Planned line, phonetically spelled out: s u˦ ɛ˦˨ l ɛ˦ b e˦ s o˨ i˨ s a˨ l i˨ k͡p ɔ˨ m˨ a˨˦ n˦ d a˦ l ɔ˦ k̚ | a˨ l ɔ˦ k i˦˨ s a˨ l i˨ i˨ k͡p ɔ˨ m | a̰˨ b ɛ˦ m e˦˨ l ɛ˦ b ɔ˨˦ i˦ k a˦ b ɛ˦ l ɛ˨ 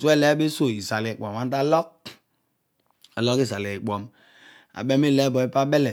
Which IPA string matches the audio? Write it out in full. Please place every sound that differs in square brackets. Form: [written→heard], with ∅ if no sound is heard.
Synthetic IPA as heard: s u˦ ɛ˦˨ l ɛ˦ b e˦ s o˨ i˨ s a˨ l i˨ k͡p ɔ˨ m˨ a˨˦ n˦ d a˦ l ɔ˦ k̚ | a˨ l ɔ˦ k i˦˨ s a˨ l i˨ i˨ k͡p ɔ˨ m | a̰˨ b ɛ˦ m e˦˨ l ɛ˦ b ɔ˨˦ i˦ [k→p] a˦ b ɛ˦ l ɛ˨